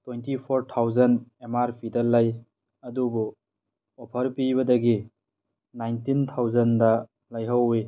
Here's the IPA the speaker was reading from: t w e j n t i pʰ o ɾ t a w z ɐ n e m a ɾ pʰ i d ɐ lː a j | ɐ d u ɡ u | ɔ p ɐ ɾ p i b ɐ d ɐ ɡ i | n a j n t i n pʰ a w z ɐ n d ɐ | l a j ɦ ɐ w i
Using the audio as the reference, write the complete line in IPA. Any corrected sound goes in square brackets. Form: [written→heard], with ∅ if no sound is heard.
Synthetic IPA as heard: t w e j n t i pʰ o ɾ [t→tʰ] a w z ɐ n e m a ɾ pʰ i d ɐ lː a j | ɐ d u [ɡ→b] u | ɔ [p→pʰ] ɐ ɾ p i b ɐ d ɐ ɡ i | n a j n t i n [pʰ→tʰ] a w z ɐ n d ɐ | l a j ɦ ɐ w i